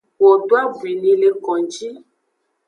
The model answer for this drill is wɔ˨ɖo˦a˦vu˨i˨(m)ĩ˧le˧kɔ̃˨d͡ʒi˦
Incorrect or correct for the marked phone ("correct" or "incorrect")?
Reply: incorrect